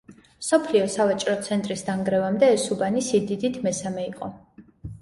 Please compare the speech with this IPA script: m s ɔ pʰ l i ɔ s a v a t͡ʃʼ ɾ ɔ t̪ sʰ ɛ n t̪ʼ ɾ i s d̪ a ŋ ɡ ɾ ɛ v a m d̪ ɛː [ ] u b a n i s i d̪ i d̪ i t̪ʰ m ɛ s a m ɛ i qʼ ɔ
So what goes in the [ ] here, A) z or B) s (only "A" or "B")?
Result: B